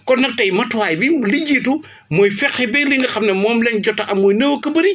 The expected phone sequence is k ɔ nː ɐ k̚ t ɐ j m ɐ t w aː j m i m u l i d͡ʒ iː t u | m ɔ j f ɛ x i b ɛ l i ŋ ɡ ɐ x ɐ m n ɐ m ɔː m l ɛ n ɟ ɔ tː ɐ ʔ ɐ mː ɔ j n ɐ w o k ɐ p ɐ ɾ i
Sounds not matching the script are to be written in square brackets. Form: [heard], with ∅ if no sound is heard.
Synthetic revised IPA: k ɔ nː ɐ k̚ t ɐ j m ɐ t w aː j [b] i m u l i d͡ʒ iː t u | m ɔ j f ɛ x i b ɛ l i ŋ ɡ ɐ x ɐ m n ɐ m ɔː m l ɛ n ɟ ɔ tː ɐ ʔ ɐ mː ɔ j n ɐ w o k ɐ [b] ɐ ɾ i